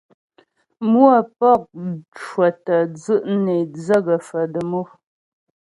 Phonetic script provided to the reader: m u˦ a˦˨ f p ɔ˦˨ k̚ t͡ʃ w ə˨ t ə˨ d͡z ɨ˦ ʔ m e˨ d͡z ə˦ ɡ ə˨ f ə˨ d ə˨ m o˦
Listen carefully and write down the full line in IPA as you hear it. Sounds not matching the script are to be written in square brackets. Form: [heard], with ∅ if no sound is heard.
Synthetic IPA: m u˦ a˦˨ [∅] p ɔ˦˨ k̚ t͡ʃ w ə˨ t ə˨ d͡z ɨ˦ ʔ [n] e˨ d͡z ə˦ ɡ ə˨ f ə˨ d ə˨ m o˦